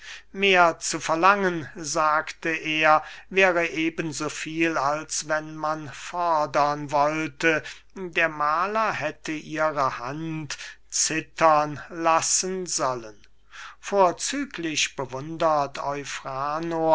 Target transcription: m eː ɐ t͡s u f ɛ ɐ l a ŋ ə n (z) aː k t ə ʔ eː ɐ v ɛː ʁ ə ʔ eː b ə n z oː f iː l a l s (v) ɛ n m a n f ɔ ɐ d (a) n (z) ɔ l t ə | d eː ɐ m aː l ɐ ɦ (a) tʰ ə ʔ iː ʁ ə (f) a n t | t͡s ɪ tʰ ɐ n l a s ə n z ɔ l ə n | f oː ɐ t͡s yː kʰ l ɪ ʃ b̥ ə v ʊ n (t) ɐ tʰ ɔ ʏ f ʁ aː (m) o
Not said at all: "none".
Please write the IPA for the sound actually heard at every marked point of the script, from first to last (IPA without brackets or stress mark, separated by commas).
z, v, ɐ, v, ɛ, h, d, n